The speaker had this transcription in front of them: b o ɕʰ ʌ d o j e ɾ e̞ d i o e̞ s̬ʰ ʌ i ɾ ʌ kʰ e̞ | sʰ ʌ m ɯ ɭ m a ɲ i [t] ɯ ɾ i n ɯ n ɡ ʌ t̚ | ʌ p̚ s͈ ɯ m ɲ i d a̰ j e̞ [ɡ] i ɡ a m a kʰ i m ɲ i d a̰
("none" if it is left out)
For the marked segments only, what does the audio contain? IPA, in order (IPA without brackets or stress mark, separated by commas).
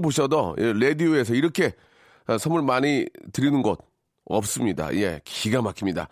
t, k